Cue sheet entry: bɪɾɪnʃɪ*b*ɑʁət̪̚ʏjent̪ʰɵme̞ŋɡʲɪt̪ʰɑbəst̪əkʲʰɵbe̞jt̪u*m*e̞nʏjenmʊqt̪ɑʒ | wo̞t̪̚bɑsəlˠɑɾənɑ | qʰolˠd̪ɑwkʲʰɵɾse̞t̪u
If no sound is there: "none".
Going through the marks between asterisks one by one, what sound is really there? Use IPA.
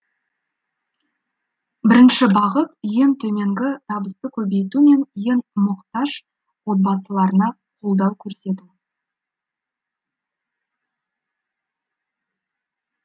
b, m

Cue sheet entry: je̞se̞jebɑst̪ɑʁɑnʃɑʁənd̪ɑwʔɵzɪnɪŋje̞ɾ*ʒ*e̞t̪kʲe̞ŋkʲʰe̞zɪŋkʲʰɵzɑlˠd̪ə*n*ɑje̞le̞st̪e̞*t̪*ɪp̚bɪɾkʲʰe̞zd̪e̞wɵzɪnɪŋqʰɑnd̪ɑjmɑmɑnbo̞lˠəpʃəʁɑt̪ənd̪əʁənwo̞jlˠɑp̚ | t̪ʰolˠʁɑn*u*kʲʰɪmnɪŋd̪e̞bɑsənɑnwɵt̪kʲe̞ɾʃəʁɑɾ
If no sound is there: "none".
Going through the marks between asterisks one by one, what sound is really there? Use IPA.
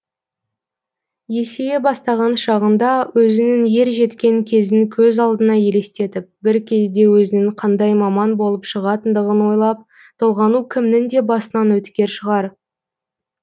ʒ, n, t̪, u

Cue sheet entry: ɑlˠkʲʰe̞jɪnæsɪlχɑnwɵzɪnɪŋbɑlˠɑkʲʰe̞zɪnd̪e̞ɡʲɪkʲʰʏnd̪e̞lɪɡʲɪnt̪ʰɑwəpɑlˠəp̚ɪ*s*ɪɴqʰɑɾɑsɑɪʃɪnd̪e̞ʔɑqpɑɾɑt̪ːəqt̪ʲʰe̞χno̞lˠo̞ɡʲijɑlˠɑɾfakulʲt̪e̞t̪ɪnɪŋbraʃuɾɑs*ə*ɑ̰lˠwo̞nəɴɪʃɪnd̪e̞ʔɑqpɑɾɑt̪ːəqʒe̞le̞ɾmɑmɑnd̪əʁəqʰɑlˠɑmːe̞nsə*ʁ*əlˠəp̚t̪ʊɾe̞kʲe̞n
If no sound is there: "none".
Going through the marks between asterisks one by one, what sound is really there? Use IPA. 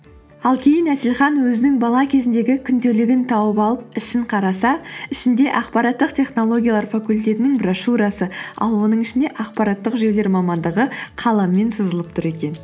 ʃ, ə, z

